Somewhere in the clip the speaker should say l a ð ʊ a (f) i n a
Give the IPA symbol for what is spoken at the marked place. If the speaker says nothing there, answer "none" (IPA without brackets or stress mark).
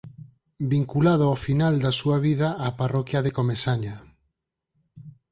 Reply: f